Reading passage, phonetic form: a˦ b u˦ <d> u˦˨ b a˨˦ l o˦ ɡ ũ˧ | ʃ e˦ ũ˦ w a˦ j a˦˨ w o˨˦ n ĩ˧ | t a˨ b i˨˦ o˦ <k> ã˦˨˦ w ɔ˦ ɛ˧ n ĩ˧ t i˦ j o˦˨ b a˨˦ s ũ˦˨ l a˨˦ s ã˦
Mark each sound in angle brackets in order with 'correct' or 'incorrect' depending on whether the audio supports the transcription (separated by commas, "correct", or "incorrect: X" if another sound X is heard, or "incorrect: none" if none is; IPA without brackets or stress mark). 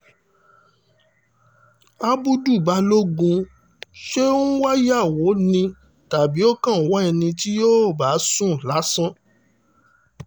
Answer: correct, correct